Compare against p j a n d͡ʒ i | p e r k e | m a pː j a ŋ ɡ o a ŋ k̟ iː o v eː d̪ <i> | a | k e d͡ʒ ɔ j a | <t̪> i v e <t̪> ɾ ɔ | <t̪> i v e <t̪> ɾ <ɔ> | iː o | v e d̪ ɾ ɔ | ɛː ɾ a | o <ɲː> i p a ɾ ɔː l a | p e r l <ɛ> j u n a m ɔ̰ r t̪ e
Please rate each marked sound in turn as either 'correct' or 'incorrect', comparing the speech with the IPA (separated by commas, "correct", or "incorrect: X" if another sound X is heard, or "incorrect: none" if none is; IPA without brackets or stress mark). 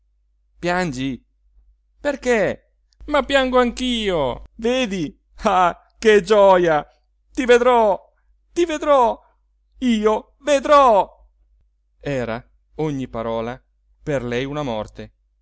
correct, correct, incorrect: d̪, correct, incorrect: d̪, correct, correct, correct